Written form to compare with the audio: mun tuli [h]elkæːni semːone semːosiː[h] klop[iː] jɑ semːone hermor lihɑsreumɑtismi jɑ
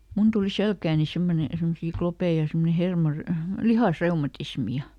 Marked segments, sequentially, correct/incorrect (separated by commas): incorrect, incorrect, incorrect